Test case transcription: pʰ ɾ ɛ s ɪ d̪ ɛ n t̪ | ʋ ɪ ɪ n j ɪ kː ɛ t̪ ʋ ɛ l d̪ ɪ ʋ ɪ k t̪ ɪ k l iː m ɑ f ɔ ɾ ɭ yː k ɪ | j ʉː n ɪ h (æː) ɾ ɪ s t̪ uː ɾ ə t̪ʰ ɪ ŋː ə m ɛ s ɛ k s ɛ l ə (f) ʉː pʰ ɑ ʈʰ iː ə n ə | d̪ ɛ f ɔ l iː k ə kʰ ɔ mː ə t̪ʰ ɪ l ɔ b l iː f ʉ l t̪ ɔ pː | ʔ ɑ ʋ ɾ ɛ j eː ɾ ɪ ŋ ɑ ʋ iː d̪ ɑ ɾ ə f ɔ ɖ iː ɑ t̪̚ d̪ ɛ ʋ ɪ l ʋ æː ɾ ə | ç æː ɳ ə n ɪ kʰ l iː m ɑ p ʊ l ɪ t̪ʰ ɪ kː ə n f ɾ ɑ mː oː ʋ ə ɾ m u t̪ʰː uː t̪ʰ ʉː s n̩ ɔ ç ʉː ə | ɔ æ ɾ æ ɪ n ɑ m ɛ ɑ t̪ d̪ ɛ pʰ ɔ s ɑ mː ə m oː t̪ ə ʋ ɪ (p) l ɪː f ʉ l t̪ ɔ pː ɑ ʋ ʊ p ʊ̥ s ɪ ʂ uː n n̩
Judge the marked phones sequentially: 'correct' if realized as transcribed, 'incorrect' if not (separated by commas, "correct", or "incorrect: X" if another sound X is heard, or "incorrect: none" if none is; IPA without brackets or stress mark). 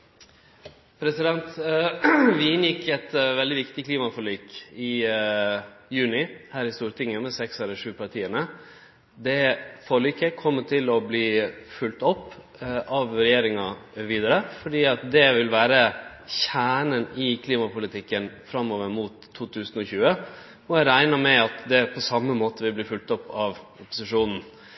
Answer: correct, incorrect: ʂ, incorrect: b